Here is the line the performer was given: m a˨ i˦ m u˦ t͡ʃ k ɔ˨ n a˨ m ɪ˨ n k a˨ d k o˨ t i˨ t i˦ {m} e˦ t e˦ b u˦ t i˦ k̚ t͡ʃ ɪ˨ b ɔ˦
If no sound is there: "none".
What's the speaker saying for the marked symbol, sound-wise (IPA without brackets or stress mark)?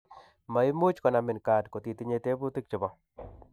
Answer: ɲ